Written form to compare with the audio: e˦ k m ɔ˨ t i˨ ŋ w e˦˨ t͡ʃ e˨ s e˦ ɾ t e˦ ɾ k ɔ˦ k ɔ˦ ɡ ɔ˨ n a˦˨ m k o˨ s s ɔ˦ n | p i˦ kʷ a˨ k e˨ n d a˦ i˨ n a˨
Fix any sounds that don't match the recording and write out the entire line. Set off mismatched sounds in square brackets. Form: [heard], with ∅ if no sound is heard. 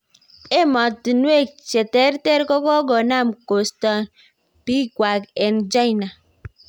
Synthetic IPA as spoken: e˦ [∅] m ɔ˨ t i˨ [n] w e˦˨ t͡ʃ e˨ [t] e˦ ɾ t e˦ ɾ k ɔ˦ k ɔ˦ ɡ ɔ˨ n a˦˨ m k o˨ s [t] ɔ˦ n | p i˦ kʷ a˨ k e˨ n [d͡ʒ] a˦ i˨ n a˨